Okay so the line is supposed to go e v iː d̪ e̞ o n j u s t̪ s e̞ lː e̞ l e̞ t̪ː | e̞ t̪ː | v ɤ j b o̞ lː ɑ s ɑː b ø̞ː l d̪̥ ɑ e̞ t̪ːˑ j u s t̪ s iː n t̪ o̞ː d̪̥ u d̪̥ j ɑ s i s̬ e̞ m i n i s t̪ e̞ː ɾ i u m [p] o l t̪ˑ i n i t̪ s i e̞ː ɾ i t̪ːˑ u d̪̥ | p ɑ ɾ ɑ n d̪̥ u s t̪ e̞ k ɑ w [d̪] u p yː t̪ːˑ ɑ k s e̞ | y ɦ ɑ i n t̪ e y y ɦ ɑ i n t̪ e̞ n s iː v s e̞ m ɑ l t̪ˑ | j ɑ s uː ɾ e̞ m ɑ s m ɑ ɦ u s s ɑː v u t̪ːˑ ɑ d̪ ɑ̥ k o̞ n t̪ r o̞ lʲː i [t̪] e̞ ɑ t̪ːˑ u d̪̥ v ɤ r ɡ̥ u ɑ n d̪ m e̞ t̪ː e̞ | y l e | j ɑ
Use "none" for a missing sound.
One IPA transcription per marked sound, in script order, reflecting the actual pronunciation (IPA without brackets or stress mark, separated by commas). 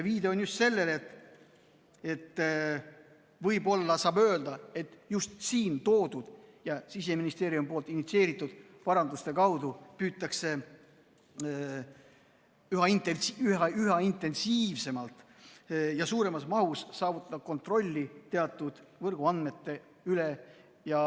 p, d̪, t̪